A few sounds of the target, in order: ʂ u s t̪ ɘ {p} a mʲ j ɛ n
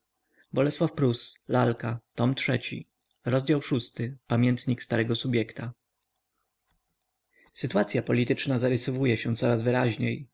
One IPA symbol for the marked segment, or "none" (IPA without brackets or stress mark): p